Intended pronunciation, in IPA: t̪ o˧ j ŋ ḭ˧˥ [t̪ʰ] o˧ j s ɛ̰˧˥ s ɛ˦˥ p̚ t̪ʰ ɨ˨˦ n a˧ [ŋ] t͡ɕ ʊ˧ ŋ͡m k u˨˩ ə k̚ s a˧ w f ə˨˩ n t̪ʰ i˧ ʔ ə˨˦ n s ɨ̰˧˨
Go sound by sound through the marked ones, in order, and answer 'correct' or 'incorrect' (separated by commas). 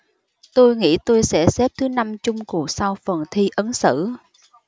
incorrect, incorrect